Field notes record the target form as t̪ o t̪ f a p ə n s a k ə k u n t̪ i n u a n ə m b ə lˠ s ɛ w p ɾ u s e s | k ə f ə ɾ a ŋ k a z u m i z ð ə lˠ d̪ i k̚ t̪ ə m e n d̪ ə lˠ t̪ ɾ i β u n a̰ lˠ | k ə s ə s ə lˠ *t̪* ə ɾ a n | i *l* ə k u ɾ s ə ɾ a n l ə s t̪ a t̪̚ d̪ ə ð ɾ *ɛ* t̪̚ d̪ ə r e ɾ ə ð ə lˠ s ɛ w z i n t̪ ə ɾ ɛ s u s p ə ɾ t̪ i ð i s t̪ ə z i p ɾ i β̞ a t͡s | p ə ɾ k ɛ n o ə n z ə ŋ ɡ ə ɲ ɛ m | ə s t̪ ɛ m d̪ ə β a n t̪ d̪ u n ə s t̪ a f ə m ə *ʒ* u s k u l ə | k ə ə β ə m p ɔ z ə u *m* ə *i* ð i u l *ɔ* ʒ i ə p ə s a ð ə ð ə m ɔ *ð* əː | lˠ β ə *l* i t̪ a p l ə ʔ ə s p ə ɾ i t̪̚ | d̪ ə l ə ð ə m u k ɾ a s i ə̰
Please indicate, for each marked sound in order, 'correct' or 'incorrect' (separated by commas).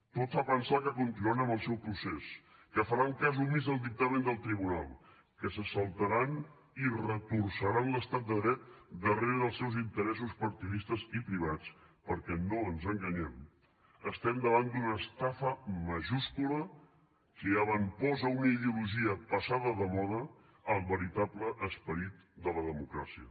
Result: correct, incorrect, correct, correct, incorrect, correct, incorrect, correct, incorrect